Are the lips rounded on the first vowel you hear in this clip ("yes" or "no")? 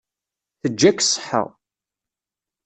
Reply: no